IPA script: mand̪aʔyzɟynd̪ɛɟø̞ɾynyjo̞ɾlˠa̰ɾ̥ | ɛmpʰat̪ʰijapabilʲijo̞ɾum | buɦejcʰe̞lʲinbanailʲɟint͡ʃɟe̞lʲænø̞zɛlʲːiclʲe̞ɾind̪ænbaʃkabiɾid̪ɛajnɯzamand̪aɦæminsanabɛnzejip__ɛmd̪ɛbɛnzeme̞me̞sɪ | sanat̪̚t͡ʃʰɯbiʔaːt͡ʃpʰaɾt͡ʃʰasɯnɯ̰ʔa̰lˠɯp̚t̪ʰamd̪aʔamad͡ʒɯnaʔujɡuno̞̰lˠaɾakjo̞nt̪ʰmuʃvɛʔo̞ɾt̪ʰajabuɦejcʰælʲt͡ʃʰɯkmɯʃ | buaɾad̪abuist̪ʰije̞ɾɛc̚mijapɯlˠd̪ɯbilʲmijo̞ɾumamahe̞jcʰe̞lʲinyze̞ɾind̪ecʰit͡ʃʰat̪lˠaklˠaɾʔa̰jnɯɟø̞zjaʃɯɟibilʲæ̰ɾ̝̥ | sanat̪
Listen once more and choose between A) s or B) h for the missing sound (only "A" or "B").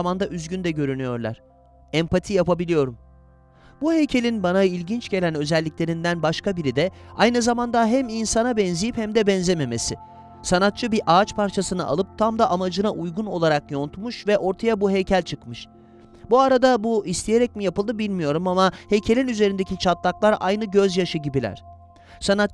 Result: B